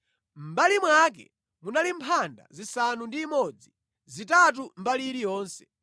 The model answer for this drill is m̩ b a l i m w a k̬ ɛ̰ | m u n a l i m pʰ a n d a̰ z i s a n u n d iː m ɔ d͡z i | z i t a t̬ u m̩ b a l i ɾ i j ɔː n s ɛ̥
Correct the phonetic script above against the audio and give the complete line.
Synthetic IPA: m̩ b a l i m w a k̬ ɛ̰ | m u n a l i m pʰ a n d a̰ z i s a n u n d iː m ɔ d͡z i | z i t a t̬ u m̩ b a l i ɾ i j ɔː n s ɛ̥